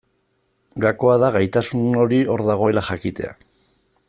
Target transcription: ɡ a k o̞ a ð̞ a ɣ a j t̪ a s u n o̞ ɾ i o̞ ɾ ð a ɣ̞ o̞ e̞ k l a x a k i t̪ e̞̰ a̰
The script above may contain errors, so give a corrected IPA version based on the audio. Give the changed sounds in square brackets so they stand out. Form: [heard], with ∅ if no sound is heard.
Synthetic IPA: ɡ a k o̞ a ð̞ a ɣ a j t̪ a s u n o̞ ɾ i o̞ ɾ ð a ɣ̞ o̞ e̞ [∅] l a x a k i t̪ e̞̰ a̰